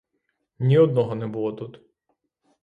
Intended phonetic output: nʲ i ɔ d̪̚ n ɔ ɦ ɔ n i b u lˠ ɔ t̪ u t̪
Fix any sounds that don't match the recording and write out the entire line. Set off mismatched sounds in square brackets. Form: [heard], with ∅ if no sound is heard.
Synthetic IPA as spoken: nʲ i ɔ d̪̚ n ɔ ɦ ɔ n [ɛ] b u lˠ ɔ t̪ u t̪